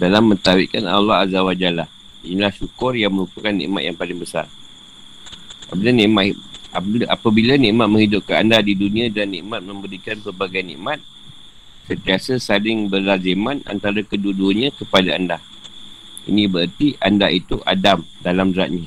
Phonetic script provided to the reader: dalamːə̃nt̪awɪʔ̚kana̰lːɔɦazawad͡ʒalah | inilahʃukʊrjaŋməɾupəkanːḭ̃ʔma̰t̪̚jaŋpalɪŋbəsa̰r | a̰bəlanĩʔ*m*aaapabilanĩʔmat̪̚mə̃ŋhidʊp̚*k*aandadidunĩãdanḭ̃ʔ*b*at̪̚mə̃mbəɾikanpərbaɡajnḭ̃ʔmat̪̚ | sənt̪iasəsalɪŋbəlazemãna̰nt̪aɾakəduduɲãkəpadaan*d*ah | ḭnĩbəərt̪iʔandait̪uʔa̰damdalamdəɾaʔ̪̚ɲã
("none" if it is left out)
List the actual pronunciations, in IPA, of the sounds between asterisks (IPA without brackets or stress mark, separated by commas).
m, k, m, d